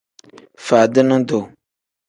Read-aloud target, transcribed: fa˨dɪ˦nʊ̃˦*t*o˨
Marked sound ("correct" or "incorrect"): incorrect